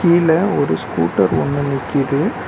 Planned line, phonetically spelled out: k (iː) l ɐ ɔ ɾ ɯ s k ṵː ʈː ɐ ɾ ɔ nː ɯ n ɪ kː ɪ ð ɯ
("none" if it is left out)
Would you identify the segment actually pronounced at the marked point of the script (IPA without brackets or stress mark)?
iː